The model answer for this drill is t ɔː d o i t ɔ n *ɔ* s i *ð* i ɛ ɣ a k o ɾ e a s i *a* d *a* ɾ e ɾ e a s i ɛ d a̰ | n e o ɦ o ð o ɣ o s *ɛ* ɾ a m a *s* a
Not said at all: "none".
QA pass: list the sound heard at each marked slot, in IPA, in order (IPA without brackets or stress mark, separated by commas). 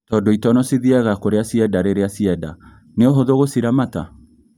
ɔ, ð, ɛ, a, i, t